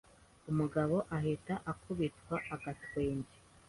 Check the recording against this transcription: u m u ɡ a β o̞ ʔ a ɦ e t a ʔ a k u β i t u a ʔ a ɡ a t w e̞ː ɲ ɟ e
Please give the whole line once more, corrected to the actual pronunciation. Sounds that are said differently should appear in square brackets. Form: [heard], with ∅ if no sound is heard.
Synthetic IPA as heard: u m u ɡ a β o̞ ʔ a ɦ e t a ʔ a k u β i t [w] a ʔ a ɡ a t w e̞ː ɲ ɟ e